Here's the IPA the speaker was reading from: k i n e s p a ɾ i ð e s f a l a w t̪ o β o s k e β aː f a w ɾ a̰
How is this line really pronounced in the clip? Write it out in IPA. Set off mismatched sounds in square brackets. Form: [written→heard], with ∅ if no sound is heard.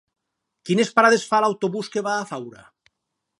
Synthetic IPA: k i n e s p a ɾ [i→a] ð e s f a l a w t̪ o β [o→u] s k e β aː f a w ɾ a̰